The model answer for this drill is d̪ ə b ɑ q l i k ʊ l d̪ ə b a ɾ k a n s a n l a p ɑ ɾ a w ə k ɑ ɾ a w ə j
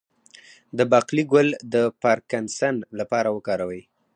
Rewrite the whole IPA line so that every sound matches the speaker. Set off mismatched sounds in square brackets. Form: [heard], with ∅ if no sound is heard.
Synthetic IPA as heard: d̪ ə b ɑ q l i [ɡ] ʊ l d̪ ə [p] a ɾ k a n s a n l a p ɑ ɾ a w ə k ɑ ɾ a w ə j